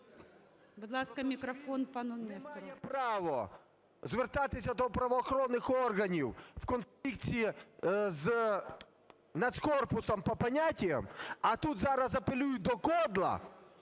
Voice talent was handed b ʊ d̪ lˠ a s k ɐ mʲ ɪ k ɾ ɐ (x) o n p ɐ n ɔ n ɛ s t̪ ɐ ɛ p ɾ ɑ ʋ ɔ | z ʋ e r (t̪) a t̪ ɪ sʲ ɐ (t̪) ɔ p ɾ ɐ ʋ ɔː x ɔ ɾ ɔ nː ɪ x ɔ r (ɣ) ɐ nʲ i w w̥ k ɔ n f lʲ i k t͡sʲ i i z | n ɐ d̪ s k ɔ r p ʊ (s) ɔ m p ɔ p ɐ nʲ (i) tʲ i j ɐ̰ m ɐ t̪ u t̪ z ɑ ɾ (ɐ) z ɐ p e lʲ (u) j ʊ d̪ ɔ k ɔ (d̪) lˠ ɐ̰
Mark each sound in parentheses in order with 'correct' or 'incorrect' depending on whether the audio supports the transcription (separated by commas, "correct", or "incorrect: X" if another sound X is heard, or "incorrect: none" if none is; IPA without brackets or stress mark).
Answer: incorrect: f, correct, incorrect: d̪, correct, correct, incorrect: a, correct, correct, correct